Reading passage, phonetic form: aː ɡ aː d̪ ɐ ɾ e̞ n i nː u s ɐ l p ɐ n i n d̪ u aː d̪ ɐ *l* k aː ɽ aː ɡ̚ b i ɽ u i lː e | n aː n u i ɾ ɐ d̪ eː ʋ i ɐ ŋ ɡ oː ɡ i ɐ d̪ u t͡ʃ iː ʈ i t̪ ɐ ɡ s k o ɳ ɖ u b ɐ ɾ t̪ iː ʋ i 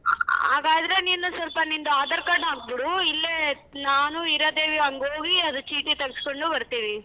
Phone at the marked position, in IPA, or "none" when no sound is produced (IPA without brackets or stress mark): ɾ